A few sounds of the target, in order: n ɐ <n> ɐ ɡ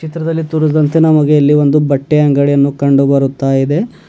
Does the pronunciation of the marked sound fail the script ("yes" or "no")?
yes